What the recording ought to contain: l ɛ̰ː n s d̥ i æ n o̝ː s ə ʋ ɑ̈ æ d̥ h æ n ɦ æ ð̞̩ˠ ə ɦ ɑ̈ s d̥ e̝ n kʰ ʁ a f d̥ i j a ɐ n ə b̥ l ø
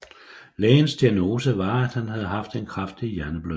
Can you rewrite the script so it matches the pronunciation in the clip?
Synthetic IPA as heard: l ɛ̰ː n s d̥ i æ n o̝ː s ə ʋ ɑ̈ æ d̥ h æ n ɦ æ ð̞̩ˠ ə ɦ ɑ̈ f d̥ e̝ n kʰ ʁ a f d̥ i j æ ɐ n ə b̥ l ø